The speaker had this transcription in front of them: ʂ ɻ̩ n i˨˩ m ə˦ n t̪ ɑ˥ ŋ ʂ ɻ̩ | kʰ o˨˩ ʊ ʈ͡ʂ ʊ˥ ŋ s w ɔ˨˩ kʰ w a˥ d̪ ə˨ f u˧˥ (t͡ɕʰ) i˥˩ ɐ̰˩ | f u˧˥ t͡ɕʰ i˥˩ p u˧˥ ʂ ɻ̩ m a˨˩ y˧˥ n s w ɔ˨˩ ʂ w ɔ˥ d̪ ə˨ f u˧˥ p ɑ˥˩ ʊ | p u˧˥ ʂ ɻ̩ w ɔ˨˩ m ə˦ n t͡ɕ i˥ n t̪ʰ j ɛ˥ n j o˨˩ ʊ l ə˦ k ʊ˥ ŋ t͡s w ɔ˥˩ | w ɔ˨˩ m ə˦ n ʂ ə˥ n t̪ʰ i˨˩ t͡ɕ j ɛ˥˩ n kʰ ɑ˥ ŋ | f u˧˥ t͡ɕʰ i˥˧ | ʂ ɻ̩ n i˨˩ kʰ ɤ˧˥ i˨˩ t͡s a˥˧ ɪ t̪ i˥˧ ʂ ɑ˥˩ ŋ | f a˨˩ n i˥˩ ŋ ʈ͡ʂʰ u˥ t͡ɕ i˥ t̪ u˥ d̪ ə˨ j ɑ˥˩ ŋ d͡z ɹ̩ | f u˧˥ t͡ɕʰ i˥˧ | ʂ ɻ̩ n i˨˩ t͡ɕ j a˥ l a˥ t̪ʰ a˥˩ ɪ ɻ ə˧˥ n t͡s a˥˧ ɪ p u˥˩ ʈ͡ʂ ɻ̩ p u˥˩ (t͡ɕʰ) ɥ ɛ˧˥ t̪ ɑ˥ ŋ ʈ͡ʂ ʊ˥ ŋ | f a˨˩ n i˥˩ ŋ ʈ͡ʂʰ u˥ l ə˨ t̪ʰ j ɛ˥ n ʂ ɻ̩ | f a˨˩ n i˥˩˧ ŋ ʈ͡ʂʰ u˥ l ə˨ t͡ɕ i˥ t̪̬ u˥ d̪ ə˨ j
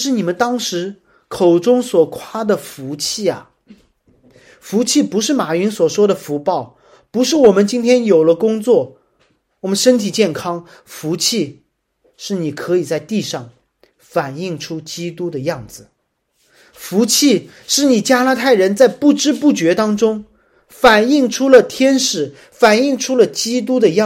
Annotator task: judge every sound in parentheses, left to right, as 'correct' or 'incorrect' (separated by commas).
correct, incorrect